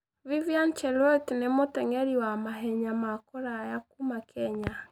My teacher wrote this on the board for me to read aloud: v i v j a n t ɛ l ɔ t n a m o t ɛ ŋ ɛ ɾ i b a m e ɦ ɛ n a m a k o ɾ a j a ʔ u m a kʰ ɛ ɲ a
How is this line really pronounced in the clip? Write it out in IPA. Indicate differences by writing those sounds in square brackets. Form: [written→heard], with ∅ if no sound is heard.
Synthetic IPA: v i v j a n [t→t͡ʃ] ɛ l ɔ t n [a→e] m o t ɛ ŋ ɛ ɾ i [b→w] a m [e→a] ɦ ɛ [n→ɲ] a m a k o ɾ a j a [ʔ→k] u m a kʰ ɛ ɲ a